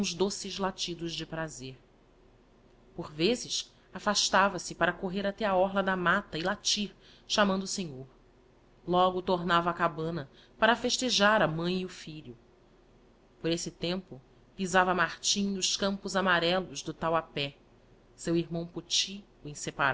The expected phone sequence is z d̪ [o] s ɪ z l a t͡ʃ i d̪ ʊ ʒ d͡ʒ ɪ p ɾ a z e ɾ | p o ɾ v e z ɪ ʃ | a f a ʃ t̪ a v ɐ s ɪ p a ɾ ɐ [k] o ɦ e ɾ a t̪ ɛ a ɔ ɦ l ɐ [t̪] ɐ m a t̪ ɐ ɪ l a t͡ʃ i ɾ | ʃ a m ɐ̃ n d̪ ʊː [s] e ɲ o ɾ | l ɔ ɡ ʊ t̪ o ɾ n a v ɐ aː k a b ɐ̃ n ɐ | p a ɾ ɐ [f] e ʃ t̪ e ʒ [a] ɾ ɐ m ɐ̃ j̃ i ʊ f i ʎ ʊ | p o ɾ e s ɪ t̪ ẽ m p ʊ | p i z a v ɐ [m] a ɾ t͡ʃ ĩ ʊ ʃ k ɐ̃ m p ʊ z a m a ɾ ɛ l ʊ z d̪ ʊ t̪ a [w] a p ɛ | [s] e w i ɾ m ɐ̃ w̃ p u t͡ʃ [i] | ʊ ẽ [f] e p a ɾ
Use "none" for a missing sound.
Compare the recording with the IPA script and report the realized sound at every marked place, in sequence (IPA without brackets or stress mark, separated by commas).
o, k, d̪, s, f, a, m, w, s, i, s